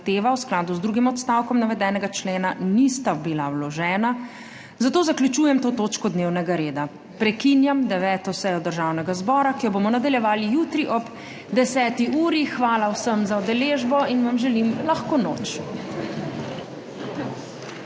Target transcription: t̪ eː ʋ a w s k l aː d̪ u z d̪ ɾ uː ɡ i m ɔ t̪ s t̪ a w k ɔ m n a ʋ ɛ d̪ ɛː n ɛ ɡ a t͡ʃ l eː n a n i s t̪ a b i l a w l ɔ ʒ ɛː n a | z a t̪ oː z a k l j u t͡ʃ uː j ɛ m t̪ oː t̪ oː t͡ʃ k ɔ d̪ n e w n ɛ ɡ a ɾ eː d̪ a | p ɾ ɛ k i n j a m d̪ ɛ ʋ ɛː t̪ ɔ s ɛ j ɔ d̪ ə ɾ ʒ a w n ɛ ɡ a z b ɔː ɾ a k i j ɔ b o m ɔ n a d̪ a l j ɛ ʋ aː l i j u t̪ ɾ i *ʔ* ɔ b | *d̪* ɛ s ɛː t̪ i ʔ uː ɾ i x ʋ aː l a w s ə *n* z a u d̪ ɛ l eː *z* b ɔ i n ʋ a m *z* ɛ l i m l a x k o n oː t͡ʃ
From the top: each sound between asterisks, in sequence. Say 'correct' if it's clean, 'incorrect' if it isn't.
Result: correct, correct, incorrect: m, incorrect: ʒ, incorrect: ʒ

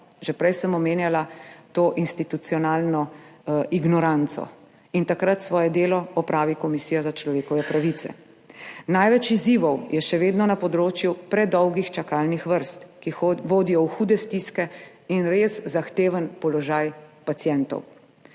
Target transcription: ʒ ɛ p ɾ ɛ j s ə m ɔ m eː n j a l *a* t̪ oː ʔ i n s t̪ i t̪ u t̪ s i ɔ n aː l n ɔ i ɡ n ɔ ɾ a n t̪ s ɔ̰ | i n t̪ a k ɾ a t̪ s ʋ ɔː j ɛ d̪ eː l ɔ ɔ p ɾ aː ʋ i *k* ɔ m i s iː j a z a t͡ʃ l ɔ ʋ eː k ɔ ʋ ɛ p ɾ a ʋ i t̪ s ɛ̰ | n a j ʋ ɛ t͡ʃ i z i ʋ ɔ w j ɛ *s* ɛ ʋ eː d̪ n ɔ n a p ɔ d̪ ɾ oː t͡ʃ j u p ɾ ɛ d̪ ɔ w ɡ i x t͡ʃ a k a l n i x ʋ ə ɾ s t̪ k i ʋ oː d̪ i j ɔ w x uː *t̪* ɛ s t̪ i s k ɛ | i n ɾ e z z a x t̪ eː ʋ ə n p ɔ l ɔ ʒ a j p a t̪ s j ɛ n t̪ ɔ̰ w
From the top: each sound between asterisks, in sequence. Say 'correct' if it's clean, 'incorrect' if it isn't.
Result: correct, correct, incorrect: ʃ, incorrect: d̪

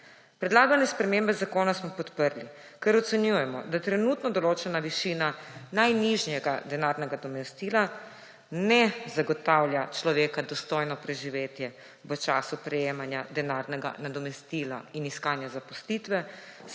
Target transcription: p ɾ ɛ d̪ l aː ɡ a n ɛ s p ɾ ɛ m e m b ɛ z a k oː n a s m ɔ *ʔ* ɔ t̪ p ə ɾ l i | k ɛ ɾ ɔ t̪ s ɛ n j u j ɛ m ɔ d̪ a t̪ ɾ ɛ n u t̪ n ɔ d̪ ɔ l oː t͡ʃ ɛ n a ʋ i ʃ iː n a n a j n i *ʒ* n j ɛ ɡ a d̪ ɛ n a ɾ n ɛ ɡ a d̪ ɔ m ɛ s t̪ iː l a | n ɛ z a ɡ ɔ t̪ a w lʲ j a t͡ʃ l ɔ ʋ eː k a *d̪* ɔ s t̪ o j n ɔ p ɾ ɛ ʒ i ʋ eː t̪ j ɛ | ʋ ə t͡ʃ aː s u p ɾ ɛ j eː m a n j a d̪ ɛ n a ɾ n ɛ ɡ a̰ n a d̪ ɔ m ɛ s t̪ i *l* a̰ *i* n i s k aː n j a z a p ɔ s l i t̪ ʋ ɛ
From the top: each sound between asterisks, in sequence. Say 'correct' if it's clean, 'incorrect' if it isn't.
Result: incorrect: p, correct, correct, correct, correct

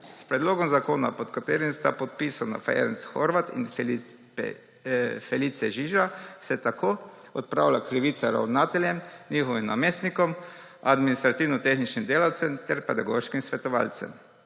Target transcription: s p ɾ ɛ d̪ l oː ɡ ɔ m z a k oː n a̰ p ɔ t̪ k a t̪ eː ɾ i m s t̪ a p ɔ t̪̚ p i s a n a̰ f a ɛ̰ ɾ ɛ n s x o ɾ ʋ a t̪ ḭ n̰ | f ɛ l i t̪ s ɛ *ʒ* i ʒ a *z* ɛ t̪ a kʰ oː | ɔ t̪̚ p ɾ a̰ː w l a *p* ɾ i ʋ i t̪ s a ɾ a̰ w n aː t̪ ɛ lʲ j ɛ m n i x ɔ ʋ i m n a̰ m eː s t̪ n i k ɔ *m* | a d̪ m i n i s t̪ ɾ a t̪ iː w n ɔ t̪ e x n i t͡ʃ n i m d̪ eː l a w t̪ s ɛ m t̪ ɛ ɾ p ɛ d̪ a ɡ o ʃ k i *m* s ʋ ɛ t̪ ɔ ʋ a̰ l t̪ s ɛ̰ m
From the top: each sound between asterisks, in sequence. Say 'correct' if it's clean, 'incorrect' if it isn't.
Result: correct, incorrect: s, incorrect: k, correct, correct

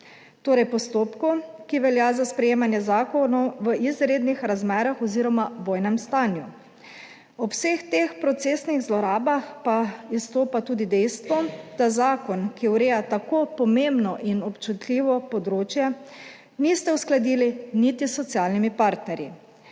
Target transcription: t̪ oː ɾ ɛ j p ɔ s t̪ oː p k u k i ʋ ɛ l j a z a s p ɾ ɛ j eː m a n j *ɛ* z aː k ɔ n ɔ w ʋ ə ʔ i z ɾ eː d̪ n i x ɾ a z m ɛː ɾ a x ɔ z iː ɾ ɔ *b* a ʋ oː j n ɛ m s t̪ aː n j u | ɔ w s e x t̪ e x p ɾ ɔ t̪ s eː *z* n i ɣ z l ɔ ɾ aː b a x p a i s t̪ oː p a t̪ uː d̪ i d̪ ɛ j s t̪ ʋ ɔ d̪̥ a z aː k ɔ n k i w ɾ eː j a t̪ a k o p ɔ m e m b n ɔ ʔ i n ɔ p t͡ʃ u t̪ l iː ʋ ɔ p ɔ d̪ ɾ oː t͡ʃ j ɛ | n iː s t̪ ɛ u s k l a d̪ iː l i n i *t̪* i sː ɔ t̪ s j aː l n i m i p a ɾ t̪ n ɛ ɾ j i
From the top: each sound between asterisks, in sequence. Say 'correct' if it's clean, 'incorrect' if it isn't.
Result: correct, incorrect: m, incorrect: s, correct

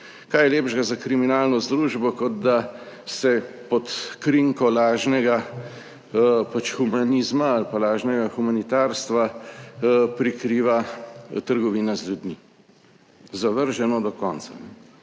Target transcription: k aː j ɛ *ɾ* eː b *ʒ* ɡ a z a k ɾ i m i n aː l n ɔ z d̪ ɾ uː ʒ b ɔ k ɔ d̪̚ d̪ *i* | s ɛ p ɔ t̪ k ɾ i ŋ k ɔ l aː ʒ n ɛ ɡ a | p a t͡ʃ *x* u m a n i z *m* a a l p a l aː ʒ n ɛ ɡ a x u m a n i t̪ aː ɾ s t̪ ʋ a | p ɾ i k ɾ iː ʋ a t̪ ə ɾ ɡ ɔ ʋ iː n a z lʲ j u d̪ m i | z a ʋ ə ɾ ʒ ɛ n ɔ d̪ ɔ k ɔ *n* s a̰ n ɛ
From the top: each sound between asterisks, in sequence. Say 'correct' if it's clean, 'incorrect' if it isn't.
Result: incorrect: l, correct, incorrect: a, correct, correct, correct

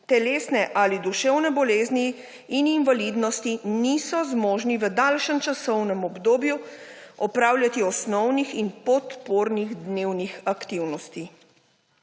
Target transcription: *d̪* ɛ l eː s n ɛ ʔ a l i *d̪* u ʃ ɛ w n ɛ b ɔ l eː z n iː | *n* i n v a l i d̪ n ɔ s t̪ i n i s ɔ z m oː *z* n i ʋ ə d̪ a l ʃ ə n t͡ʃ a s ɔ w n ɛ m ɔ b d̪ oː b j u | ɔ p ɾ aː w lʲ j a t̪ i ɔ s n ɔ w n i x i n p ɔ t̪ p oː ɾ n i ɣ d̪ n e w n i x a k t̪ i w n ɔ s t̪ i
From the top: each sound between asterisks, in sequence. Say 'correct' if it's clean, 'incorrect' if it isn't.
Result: incorrect: t̪, correct, correct, incorrect: ʒ

